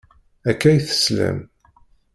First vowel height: low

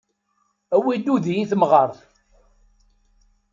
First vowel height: low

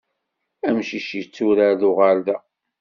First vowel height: low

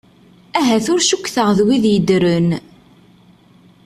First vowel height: low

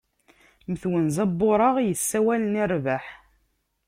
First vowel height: mid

